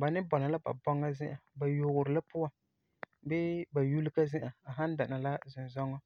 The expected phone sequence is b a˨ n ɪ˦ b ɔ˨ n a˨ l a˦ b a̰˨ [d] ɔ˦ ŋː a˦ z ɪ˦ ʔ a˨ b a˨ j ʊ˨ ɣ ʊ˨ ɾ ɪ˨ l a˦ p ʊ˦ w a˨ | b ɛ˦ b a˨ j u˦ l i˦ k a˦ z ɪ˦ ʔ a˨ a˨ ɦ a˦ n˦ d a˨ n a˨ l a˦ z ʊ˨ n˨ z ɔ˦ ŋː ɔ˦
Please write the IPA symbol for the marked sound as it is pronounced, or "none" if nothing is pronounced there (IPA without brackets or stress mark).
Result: b